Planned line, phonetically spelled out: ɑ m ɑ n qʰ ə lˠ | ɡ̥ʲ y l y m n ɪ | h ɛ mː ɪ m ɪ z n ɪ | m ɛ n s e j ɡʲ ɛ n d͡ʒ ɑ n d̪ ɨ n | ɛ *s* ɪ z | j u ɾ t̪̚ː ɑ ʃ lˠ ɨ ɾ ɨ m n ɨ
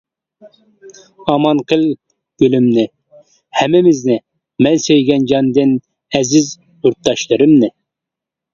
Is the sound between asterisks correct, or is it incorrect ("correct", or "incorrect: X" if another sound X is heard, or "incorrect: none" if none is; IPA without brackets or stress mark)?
incorrect: z